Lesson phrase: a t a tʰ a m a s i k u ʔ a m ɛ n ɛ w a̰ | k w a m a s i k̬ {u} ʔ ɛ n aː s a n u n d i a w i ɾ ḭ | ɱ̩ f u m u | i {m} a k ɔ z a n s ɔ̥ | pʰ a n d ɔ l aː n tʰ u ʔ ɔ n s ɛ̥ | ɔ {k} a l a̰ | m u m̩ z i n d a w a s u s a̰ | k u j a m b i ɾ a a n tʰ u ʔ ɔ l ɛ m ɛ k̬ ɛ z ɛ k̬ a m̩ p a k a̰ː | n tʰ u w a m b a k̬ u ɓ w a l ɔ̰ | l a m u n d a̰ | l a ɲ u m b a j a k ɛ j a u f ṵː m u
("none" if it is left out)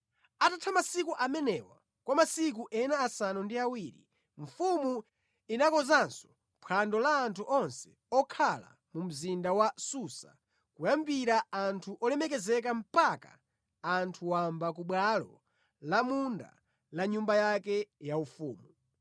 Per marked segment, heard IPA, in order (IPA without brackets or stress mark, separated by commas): u, n, kʰ